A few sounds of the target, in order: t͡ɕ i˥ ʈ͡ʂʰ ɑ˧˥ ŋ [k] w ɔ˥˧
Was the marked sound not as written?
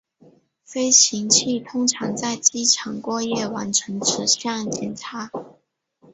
no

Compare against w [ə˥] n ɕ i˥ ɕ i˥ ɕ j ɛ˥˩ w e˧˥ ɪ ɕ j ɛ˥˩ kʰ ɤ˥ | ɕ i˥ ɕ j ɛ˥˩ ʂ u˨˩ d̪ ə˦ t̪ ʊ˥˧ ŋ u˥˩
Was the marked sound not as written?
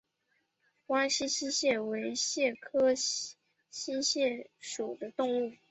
yes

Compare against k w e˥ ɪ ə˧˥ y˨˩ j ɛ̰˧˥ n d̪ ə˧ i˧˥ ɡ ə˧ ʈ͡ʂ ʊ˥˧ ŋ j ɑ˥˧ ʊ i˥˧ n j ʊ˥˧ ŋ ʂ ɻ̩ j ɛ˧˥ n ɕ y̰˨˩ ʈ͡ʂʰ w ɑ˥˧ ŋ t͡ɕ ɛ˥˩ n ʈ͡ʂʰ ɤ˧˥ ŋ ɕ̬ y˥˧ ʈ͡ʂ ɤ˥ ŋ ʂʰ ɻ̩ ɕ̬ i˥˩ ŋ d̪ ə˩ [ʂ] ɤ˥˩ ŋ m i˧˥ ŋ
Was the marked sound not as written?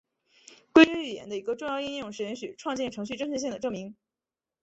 yes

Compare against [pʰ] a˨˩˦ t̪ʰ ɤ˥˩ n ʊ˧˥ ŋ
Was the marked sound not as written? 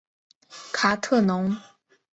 yes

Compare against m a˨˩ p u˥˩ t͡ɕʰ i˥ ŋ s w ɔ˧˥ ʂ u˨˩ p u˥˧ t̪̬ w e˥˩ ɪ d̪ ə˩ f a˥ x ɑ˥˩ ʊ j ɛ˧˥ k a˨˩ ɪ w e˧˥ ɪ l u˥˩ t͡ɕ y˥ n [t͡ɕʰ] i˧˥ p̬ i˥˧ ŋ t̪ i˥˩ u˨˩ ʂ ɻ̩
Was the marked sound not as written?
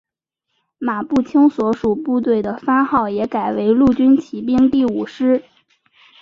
no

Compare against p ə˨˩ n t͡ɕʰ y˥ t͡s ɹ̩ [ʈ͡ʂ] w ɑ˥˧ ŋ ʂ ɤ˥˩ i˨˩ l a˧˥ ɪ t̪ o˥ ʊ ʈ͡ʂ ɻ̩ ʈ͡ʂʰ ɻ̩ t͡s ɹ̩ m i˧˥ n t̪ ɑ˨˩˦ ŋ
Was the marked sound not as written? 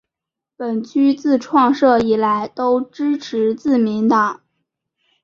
yes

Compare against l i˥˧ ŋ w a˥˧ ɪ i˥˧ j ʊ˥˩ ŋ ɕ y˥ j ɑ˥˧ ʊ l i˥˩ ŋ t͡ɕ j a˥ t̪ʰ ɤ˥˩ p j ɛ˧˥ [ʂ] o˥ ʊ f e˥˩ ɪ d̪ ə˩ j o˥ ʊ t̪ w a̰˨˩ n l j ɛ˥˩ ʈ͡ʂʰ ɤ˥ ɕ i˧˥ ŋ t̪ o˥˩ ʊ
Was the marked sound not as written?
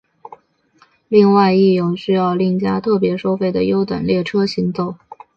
no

